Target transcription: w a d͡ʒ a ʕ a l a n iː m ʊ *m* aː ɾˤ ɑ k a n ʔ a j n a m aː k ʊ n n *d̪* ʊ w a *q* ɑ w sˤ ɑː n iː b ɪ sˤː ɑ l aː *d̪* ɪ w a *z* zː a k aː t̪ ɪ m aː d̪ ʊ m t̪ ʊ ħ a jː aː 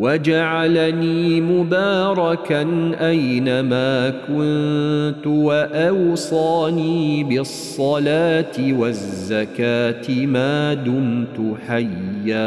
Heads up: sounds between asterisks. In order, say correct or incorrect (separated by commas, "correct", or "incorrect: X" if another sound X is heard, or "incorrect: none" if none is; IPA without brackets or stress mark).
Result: incorrect: b, incorrect: t̪, incorrect: ʔ, incorrect: t̪, correct